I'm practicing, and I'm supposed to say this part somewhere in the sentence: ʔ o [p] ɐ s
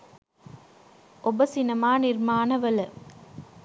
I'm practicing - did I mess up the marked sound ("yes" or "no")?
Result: yes